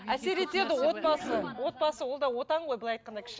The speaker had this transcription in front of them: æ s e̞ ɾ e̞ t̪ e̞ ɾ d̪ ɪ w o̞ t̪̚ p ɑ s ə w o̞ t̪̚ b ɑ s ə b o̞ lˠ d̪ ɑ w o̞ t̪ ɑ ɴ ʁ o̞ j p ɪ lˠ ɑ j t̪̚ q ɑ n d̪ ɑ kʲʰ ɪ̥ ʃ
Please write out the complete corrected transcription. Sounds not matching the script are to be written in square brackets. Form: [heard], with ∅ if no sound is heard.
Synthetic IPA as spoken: æ s e̞ ɾ e̞ t̪ e̞ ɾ d̪ ɪ w o̞ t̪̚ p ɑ s ə w o̞ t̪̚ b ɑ s ə [w] o̞ lˠ d̪ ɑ w o̞ t̪ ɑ ɴ ʁ o̞ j [b] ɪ lˠ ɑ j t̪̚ q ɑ n d̪ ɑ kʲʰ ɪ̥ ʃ